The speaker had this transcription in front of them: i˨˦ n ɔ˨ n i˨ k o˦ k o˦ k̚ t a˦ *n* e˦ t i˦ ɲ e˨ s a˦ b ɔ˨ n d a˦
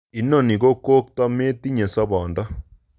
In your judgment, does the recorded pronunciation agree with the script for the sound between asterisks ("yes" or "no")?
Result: no